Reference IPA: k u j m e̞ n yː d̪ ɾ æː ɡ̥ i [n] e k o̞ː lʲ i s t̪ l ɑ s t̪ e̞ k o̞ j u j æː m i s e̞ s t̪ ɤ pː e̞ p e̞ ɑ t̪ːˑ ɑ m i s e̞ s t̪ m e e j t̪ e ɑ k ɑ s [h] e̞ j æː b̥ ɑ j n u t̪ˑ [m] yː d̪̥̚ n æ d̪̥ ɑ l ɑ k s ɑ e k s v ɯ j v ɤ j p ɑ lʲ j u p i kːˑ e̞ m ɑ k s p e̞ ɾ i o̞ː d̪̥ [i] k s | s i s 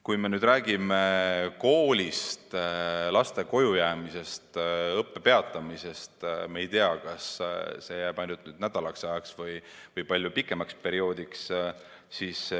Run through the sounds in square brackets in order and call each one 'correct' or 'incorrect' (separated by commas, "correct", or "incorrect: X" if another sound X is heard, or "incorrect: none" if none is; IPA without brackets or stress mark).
incorrect: m, incorrect: s, incorrect: n, correct